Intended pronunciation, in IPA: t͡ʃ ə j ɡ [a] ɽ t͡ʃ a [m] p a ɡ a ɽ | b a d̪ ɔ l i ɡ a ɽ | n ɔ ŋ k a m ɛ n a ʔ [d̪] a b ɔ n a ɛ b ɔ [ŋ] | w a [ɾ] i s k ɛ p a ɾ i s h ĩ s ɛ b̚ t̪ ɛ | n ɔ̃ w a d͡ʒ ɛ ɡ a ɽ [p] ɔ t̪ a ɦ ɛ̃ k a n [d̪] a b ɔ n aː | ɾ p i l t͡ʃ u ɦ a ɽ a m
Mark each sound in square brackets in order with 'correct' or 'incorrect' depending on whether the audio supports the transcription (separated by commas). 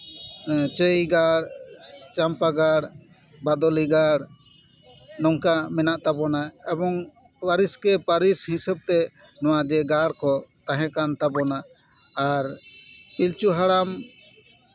correct, correct, incorrect, correct, correct, incorrect, incorrect